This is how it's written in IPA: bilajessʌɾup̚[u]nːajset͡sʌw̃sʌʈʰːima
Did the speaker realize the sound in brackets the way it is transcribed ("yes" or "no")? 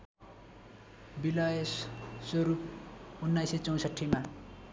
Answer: yes